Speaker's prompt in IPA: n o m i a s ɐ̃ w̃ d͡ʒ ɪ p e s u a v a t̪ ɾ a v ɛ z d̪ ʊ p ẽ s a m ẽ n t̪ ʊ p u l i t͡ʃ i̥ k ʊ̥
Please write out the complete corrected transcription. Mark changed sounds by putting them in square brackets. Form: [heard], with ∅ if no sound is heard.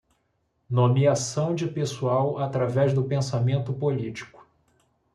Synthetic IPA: n o m i a s ɐ̃ w̃ d͡ʒ ɪ p e s u a [w] a t̪ ɾ a v ɛ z d̪ ʊ p ẽ s a m ẽ n t̪ ʊ p [o] l i t͡ʃ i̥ k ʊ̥

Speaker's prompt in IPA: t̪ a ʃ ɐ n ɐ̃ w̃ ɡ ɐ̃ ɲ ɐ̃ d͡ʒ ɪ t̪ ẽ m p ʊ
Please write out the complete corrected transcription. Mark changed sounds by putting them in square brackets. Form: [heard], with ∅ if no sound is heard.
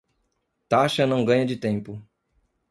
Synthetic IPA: t̪ a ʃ ɐ n ɐ̃ w̃ ɡ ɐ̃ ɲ [ɐ] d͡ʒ ɪ t̪ ẽ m p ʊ

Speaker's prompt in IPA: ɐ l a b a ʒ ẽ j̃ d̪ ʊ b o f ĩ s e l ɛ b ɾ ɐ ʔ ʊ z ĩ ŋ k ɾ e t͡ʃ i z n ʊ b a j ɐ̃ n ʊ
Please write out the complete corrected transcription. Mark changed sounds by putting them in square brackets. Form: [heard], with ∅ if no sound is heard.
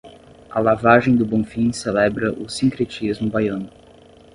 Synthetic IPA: ɐ l a [v] a ʒ ẽ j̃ d̪ ʊ b [õ] f ĩ s e l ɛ b ɾ ɐ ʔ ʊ [s] ĩ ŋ k ɾ e t͡ʃ i z [m] ʊ b a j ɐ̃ n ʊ

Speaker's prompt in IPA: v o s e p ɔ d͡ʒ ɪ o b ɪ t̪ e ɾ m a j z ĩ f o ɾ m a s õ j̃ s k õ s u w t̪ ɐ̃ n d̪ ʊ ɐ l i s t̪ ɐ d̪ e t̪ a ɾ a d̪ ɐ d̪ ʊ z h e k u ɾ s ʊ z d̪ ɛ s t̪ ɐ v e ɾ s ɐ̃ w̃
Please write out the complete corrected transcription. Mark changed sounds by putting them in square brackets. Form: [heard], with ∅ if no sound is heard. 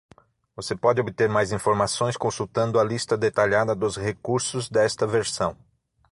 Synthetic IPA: v o s e p ɔ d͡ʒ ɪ o b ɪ t̪ e ɾ m a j z ĩ f o ɾ m a s õ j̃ s k õ s u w t̪ ɐ̃ n d̪ ʊ ɐ l i s t̪ ɐ d̪ e t̪ a [ʎ] a d̪ ɐ d̪ ʊ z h e k u ɾ s ʊ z d̪ ɛ s t̪ ɐ v e ɾ s ɐ̃ w̃

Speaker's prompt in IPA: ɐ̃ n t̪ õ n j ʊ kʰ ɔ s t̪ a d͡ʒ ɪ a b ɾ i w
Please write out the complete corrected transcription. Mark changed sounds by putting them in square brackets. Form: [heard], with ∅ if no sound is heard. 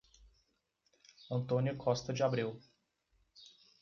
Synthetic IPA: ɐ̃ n t̪ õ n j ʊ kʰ ɔ s t̪ [ɐ] d͡ʒ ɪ a b ɾ i w

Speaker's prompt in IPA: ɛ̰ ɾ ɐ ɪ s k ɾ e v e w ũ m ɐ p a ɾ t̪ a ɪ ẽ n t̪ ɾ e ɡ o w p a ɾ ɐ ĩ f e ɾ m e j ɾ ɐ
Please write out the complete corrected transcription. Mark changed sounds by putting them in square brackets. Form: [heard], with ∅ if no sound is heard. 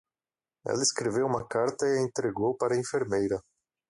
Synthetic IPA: ɛ̰ [l] ɐ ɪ s k ɾ e v e w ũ m ɐ [k] a ɾ t̪ [ɐ] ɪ ẽ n t̪ ɾ e ɡ o w p a ɾ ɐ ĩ f e ɾ m e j ɾ ɐ

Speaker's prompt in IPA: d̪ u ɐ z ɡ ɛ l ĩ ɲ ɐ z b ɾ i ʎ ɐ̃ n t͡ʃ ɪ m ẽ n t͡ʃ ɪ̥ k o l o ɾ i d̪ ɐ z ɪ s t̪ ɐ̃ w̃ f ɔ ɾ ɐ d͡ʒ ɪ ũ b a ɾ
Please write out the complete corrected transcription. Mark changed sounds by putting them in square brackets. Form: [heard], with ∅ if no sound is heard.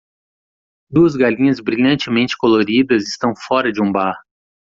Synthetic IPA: d̪ u ɐ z ɡ [a] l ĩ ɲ ɐ z b ɾ i ʎ ɐ̃ n t͡ʃ ɪ m ẽ n t͡ʃ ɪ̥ k o l o ɾ i d̪ ɐ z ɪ s t̪ ɐ̃ w̃ f ɔ ɾ ɐ d͡ʒ ɪ ũ b a ɾ

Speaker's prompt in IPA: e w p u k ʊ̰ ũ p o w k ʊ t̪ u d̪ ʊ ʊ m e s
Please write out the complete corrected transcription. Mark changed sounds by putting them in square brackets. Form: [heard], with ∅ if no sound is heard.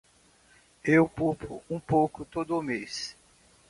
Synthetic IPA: e w p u [p] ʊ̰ ũ p o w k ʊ t̪ [o] d̪ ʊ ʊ m e s

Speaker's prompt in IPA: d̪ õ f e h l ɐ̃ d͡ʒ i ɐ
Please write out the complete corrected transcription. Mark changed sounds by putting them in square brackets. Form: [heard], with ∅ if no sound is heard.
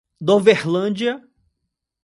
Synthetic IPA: d̪ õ [v] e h l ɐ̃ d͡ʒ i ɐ

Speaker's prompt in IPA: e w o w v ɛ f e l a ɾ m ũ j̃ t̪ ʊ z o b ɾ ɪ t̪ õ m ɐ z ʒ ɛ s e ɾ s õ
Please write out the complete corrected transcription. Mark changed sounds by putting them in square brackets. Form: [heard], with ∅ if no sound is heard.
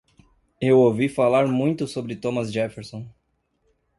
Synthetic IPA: e w o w v [i] f [a] l a ɾ m ũ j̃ t̪ ʊ [s] o b ɾ ɪ t̪ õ m ɐ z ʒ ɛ [f] e ɾ s õ

